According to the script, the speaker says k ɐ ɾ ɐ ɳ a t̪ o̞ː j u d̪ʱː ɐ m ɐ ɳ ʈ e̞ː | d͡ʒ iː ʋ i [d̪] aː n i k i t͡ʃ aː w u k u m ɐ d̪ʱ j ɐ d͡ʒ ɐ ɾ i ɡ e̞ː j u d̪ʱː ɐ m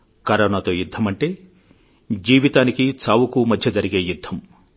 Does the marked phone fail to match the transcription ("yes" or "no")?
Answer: yes